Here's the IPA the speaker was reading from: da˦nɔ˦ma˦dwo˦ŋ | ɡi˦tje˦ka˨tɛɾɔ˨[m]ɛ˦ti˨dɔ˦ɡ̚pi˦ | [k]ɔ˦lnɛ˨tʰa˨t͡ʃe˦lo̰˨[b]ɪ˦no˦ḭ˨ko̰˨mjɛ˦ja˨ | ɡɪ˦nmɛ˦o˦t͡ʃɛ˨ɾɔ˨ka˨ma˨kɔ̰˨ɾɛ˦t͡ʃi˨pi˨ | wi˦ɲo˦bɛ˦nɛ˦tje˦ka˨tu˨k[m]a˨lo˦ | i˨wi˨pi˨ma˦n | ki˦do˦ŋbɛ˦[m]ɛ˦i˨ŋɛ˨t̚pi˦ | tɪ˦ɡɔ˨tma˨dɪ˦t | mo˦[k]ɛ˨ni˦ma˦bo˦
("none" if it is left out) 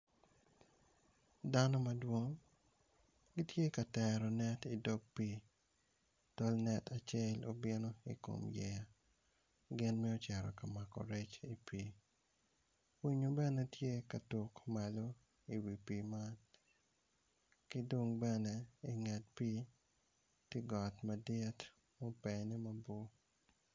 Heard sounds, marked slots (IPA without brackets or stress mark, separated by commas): n, t, b, m, n, p